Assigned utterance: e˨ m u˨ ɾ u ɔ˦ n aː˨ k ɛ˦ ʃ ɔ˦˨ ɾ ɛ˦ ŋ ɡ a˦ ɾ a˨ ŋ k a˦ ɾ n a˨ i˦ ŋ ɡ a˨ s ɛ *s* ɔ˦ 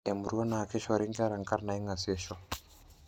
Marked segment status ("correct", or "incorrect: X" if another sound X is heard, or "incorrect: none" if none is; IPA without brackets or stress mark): incorrect: ʃ